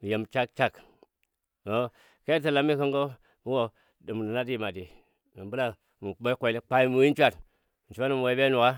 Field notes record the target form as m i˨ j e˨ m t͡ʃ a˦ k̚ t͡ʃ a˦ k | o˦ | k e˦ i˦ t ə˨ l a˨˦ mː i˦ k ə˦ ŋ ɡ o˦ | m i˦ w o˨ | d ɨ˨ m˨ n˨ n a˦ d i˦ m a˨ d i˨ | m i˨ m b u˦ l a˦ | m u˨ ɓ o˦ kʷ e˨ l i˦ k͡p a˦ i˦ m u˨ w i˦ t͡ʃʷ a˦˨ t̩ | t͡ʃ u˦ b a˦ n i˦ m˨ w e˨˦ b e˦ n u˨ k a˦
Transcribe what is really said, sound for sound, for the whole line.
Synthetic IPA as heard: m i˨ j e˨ m t͡ʃ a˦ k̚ t͡ʃ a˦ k | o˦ | k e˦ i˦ t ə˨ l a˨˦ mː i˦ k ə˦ ŋ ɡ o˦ | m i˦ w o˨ | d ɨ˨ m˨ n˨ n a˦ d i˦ m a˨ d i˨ | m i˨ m b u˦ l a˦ | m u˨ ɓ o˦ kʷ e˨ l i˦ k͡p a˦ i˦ m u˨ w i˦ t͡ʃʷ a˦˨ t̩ | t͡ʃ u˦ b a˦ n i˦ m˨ w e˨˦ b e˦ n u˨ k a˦

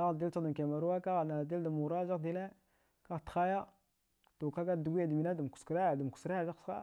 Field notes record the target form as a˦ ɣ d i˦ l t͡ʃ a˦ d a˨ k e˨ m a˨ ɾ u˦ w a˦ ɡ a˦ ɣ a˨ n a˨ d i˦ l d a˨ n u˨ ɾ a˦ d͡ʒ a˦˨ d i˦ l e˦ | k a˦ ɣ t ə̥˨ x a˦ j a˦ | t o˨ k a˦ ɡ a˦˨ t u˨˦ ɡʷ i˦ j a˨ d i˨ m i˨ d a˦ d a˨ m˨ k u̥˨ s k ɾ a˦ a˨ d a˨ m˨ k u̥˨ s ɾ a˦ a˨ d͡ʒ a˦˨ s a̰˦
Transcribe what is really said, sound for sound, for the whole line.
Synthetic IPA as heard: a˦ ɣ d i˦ l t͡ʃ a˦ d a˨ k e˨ m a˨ ɾ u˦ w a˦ k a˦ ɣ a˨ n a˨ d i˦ l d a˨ m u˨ ɾ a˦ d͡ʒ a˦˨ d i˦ l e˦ | k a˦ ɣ t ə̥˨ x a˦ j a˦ | t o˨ k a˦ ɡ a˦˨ d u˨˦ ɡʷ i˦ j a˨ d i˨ m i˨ n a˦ d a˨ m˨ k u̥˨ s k ɾ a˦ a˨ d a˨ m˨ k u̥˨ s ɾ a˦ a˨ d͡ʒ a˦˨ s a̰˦

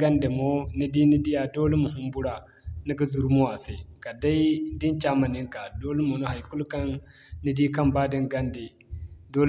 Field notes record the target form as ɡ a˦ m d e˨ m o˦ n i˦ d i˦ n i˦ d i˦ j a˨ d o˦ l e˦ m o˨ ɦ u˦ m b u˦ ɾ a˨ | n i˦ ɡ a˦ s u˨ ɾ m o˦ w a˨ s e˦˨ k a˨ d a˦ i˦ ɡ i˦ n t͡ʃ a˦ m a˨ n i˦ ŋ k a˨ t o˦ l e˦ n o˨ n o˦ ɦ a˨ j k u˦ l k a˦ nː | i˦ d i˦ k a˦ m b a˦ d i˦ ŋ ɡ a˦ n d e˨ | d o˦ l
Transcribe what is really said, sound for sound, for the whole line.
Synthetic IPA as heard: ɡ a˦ n d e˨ m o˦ n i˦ d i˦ n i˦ d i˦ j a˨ d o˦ l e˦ m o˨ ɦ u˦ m b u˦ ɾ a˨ | n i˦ ɡ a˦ z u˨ ɾ m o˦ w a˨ s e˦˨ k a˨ d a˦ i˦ d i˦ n t͡ʃ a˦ m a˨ n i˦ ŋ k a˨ d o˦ l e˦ m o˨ n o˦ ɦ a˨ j k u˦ l k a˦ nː | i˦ d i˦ k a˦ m b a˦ d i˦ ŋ ɡ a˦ n d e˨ | d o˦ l

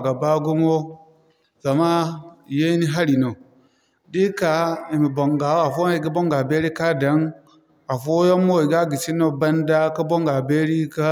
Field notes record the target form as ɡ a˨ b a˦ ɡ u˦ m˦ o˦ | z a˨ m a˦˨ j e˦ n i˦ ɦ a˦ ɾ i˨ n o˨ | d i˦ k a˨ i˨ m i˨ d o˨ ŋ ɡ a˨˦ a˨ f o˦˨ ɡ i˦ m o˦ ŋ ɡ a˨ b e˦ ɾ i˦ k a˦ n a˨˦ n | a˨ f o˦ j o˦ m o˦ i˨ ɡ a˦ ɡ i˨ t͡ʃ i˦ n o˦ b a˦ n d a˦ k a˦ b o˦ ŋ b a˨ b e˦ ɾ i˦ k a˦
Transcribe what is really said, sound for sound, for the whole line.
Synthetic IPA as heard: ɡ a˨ b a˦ ɡ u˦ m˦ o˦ | z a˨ m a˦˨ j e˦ n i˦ ɦ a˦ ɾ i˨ n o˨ | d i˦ k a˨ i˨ m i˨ b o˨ ŋ ɡ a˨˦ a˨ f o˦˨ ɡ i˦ b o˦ ŋ ɡ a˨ b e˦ ɾ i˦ k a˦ d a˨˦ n | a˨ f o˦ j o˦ m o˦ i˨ ɡ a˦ ɡ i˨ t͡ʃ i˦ n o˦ b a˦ n d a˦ k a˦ b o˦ ŋ ɡ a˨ b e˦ ɾ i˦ k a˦

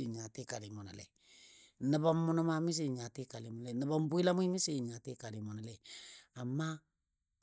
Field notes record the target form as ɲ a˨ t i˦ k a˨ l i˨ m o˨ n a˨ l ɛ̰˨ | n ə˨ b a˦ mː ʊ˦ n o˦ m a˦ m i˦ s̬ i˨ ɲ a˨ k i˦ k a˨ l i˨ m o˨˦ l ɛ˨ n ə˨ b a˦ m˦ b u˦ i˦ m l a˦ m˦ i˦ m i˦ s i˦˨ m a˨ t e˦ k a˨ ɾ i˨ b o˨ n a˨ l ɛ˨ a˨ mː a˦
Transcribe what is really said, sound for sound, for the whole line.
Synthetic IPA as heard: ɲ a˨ t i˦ k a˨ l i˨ m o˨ n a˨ l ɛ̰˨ | n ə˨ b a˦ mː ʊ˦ n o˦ m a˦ m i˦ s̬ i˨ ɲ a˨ t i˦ k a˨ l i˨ m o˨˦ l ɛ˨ n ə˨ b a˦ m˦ b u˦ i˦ l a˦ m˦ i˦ m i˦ s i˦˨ ɲ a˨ t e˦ k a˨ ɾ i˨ m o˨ n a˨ l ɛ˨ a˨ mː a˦

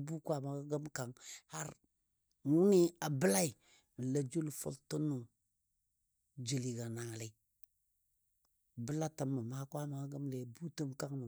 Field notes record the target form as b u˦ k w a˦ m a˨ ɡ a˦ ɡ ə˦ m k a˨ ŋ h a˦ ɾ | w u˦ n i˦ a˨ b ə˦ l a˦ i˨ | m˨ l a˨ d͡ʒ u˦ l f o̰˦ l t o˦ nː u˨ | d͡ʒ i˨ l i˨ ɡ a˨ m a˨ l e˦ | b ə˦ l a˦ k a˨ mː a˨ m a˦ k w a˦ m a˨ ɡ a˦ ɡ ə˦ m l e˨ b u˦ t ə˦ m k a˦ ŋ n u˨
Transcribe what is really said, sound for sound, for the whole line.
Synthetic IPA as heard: b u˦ k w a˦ m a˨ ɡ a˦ ɡ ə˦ m k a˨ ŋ h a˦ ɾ | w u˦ n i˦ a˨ b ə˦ l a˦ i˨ | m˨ l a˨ d͡ʒ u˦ l f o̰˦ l t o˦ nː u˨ | d͡ʒ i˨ l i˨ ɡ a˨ n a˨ l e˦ | b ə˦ l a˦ t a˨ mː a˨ m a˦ k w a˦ m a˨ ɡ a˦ ɡ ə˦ m l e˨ b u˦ t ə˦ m k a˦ ŋ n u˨

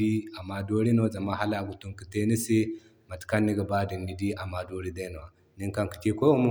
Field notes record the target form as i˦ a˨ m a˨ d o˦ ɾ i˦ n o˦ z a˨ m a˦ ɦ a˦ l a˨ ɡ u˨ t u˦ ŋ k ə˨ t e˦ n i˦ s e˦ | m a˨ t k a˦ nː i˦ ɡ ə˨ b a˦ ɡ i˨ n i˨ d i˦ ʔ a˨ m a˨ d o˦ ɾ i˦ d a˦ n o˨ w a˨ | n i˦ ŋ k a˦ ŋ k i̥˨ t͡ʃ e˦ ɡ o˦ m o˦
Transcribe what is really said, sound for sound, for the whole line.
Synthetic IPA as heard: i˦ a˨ m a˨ d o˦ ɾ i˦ n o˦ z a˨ m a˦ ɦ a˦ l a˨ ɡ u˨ t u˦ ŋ k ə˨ t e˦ n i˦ s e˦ | m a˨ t k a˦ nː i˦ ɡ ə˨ b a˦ d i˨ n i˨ d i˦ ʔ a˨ m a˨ d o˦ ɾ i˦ d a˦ n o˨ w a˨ | n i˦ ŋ k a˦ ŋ k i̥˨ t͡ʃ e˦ k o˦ m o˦

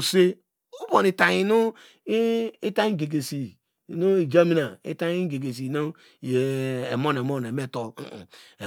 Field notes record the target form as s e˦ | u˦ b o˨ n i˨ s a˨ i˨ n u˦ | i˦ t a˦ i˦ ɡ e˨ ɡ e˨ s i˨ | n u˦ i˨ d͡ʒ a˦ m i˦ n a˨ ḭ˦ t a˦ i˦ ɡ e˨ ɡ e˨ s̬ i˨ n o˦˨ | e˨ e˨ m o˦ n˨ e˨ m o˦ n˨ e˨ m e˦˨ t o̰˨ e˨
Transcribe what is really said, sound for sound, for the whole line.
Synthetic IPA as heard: s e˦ | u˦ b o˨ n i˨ t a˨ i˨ n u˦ | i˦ t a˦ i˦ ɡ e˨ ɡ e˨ s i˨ | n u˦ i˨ d͡ʒ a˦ m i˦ n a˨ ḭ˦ t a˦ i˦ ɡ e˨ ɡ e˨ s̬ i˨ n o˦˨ | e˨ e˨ m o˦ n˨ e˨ m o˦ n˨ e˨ m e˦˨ t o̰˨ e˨

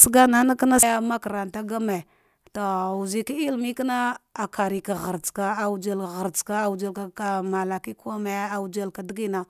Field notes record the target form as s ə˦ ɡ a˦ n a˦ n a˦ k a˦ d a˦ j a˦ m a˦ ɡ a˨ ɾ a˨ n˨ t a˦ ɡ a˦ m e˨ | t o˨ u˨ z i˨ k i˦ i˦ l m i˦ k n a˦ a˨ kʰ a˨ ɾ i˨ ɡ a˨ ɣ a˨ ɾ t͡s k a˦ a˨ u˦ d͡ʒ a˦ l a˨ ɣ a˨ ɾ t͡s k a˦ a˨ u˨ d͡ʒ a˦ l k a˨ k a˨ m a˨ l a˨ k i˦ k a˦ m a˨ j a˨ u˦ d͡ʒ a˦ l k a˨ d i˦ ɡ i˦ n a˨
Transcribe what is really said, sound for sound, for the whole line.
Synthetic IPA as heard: s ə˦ ɡ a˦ n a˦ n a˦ k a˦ n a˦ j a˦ m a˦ k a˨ ɾ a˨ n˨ t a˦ ɡ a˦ m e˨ | t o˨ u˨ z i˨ k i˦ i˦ l m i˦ k n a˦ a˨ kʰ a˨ ɾ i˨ k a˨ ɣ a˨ ɾ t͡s k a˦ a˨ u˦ d͡ʒ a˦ l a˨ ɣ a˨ ɾ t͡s k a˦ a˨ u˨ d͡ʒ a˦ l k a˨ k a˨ m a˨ l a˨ k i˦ k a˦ m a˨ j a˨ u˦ d͡ʒ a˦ l k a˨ d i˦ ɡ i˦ n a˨

